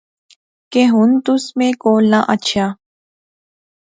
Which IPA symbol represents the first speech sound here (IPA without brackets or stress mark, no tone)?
k